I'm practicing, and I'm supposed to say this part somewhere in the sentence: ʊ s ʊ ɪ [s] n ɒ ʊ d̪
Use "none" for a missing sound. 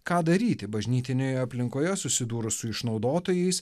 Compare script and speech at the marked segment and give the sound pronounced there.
ʃ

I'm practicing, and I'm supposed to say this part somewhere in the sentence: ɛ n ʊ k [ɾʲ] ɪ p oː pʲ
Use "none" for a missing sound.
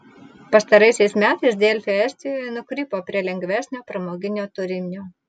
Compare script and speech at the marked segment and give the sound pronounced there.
ɾʲ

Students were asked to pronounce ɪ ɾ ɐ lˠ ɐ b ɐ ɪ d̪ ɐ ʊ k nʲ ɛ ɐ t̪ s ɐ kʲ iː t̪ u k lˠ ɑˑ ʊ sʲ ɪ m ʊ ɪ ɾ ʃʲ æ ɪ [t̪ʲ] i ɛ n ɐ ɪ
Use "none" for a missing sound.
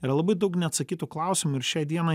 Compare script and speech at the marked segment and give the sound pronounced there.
d̪ʲ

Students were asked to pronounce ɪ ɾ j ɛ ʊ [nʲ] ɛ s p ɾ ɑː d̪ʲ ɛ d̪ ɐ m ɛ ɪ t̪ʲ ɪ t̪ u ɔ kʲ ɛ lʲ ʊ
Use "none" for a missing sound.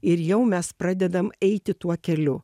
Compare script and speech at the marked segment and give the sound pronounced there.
mʲ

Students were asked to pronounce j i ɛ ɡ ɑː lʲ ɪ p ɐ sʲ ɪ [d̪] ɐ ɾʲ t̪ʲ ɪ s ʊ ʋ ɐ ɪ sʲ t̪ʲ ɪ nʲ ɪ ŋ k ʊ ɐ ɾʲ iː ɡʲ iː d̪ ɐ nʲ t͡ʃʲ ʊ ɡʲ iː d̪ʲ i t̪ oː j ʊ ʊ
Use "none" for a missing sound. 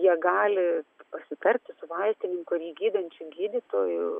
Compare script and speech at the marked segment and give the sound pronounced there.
t̪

